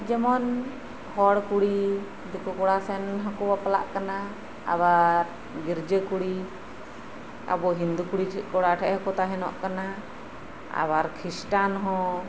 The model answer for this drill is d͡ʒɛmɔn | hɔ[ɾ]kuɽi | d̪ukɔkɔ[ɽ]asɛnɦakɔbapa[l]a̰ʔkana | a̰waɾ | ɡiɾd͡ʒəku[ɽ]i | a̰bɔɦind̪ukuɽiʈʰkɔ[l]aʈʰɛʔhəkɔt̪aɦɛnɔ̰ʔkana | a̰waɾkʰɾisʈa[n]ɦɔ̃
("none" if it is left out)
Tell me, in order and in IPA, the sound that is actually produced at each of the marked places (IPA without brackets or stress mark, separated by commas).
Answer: ɽ, ɽ, l, ɽ, ɽ, n